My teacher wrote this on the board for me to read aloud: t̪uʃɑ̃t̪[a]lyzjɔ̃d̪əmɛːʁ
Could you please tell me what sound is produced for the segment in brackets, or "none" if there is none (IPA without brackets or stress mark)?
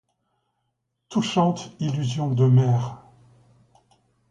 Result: i